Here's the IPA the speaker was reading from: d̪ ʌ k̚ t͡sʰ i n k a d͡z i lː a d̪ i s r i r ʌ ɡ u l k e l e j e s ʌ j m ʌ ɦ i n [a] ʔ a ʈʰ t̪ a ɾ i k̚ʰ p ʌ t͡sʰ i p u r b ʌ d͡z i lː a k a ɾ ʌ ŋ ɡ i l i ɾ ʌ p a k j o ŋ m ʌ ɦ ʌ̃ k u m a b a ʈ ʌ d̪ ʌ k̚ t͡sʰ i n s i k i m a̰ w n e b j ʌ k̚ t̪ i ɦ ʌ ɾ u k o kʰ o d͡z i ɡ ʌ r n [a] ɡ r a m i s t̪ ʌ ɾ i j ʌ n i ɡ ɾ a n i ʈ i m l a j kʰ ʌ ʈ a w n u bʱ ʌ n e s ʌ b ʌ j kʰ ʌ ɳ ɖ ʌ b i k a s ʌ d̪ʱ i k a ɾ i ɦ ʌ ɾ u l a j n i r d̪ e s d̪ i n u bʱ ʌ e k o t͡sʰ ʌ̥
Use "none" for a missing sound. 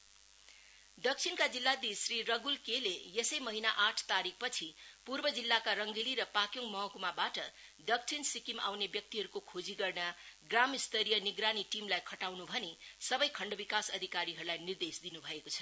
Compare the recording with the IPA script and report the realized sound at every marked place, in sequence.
a, a

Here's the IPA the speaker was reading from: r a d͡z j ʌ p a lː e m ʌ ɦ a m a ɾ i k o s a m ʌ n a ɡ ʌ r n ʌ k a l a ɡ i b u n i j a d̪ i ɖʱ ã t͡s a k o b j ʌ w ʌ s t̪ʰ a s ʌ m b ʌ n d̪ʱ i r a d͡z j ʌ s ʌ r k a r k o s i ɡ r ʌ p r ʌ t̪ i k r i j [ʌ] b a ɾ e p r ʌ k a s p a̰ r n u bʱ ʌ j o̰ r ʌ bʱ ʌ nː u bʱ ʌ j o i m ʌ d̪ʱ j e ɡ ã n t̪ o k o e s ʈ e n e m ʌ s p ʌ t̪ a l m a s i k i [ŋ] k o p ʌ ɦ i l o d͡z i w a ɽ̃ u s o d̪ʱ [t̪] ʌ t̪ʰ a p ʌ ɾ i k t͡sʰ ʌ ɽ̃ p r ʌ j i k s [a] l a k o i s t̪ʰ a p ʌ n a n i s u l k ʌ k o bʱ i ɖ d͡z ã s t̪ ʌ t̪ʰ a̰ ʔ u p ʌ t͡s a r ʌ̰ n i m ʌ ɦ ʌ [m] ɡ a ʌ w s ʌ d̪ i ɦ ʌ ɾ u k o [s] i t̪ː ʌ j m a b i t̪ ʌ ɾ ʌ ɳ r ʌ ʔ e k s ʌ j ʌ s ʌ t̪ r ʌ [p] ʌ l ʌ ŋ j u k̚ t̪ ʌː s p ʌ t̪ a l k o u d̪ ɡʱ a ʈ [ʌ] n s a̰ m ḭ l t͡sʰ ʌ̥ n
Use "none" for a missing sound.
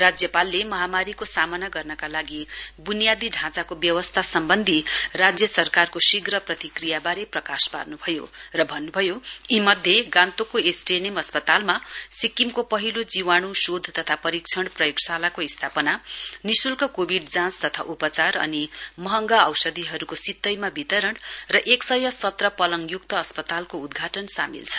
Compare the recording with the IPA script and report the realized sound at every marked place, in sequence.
a, m, t̪, a, ŋ, s, p, ʌ

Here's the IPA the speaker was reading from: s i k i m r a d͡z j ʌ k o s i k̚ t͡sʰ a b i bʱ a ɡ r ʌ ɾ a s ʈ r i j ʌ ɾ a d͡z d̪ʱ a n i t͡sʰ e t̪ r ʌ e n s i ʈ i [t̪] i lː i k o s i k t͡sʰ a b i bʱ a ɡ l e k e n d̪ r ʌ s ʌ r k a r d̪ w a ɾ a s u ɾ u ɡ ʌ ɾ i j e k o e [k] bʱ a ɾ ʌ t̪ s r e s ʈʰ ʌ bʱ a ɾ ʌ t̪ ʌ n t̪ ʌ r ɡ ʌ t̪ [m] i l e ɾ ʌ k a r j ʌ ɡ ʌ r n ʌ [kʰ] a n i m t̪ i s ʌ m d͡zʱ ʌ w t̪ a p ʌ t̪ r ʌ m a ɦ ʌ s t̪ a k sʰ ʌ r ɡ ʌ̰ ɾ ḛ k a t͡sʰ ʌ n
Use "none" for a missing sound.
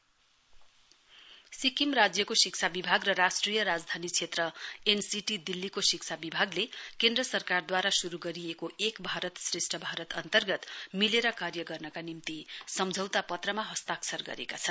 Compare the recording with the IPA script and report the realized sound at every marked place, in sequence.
d̪, k, m, k

